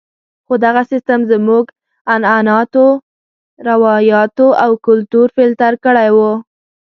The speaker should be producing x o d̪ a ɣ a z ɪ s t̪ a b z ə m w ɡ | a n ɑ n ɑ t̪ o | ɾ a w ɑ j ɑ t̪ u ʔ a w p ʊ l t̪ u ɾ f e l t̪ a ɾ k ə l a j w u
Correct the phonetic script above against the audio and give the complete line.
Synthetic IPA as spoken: x o d̪ a ɣ a s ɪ s t̪ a m z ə m u ɡ | a n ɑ n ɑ t̪ o | ɾ a w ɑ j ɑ t̪ o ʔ a w k ʊ l t̪ u ɾ f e l t̪ a ɾ k ə ɽ a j w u